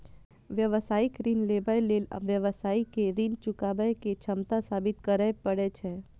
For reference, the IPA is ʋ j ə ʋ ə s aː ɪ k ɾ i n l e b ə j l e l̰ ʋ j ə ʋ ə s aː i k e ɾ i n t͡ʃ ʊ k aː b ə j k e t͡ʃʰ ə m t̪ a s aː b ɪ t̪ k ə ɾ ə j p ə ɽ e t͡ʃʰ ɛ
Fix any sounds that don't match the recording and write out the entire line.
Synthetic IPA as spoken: ʋ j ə ʋ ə s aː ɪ k ɾ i n l e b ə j l e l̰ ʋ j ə ʋ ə s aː i k e ɾ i n t͡ʃ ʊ k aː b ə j k e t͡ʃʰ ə m t̪ a s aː b ɪ t̪ k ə ɾ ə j p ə ɽ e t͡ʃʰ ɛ